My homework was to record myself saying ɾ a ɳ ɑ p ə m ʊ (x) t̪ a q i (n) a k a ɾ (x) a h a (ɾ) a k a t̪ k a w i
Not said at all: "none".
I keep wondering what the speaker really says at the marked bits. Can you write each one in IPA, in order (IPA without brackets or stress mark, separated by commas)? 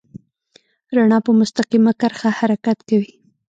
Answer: s, m, x, ɾ